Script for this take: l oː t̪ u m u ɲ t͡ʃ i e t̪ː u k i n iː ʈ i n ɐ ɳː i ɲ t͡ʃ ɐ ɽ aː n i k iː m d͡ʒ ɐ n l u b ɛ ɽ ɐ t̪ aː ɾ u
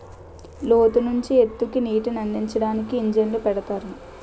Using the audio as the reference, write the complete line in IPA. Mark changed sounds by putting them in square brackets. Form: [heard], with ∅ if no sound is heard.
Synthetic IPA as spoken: l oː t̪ u [n] u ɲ t͡ʃ i e t̪ː u k i n iː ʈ i n ɐ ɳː i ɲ t͡ʃ ɐ ɽ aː n i k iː [ɲ] d͡ʒ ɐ n l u [p] ɛ ɽ ɐ t̪ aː ɾ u